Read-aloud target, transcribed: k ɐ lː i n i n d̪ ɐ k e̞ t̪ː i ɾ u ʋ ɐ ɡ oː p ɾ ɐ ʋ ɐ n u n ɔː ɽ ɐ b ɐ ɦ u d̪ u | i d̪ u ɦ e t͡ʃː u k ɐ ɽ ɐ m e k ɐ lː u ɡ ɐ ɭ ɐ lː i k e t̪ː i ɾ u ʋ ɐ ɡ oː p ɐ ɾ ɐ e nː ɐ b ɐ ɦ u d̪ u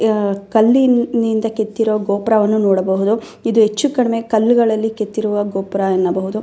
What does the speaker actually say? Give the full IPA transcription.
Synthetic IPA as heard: k ɐ lː i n i n d̪ ɐ k e̞ t̪ː i ɾ u ʋ ɐ ɡ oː p ɾ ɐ ʋ ɐ nː u n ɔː ɽ ɐ b ɐ ɦ u d̪ u | i d̪ u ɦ e t͡ʃː u k ɐ ɽ ɐ m e k ɐ lː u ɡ ɐ ɭ ɐ lː i k e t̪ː i ɾ u ʋ ɐ ɡ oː p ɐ ɾ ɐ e nː ɐ b ɐ ɦ u d̪ u